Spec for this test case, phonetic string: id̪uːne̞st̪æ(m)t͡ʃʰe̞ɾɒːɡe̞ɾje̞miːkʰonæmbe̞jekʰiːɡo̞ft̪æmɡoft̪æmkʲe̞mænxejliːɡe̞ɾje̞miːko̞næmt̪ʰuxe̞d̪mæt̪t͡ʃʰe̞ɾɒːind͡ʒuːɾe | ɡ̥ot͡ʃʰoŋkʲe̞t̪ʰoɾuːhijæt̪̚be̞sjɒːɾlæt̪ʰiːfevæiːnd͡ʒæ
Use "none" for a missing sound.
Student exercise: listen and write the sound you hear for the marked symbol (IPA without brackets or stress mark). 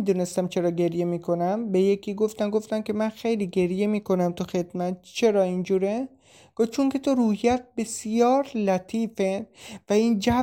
m